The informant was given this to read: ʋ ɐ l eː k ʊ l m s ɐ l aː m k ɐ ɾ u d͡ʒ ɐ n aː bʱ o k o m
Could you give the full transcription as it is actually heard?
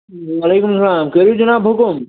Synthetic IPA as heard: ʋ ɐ l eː k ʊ m s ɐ l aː m k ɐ ɾ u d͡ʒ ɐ n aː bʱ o k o m